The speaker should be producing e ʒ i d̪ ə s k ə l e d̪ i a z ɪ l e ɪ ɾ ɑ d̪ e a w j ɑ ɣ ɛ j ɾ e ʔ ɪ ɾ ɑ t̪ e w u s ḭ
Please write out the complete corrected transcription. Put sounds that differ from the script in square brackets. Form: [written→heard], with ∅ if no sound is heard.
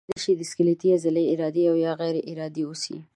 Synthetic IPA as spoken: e [ʒ→ʃ] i d̪ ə s k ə l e [d̪→t̪] i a z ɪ l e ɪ ɾ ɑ d̪ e a w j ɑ ɣ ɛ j ɾ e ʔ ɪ ɾ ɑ [t̪→d̪] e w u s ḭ